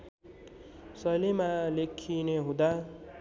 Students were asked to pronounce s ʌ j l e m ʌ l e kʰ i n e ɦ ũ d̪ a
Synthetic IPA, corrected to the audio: s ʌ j l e m a l e kʰ i n e ɦ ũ d̪ a